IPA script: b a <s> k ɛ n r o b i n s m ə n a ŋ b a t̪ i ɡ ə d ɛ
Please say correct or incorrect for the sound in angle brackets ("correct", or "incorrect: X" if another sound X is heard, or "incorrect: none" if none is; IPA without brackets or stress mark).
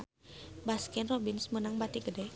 correct